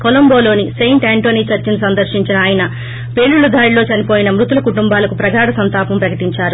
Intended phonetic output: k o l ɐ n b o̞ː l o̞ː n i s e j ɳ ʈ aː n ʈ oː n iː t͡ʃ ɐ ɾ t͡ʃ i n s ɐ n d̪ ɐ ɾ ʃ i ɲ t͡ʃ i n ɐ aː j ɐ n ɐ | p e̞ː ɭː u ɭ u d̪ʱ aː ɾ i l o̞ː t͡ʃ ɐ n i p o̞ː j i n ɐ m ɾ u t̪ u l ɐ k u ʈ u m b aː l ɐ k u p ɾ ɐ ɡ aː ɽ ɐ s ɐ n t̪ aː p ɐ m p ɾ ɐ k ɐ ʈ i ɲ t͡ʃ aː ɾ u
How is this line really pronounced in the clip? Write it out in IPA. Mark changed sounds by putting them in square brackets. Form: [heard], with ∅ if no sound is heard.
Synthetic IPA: k o l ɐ [m] b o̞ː l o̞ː n i s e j ɳ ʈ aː [ɳ] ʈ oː n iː t͡ʃ ɐ ɾ t͡ʃ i n s ɐ n d̪ ɐ ɾ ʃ i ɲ t͡ʃ i n ɐ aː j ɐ n ɐ | p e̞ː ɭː u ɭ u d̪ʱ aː ɾ i l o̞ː t͡ʃ ɐ n i p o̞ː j i n ɐ m ɾ u t̪ u l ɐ k u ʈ u m b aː l ɐ k u p ɾ ɐ ɡ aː ɽ ɐ s ɐ n t̪ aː p ɐ m p ɾ ɐ k ɐ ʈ i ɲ t͡ʃ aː ɾ u